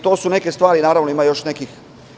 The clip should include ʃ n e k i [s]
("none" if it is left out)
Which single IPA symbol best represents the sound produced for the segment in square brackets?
x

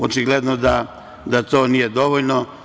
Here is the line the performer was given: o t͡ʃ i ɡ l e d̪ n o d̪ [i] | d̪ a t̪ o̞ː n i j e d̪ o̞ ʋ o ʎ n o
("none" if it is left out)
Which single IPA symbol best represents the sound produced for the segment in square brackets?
a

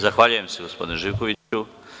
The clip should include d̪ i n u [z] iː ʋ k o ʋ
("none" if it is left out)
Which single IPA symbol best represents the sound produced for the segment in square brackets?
ʒ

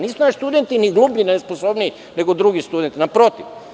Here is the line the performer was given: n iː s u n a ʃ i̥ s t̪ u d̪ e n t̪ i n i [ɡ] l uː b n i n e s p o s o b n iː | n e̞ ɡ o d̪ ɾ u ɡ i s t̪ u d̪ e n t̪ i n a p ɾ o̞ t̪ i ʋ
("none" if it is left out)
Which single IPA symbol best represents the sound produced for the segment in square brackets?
ɡ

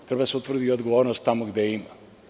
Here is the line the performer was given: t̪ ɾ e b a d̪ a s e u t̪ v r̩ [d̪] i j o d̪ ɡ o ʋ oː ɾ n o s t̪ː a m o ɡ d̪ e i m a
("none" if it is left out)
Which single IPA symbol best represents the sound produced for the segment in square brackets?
d̪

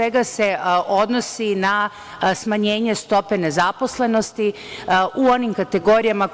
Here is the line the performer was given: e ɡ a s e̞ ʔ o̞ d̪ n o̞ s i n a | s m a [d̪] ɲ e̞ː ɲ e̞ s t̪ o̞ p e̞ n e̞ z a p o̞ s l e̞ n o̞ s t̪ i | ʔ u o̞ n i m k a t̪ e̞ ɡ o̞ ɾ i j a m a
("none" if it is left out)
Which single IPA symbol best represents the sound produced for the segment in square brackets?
none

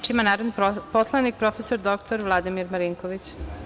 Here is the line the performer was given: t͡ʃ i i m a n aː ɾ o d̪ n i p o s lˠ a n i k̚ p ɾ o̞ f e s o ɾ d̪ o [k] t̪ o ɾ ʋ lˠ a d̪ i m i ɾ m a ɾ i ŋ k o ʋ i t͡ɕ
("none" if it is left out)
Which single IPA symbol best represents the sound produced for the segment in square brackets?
k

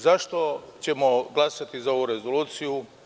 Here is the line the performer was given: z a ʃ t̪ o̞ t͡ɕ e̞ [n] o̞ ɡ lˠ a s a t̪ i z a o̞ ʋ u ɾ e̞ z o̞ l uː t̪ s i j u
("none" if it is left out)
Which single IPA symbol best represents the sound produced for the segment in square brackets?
m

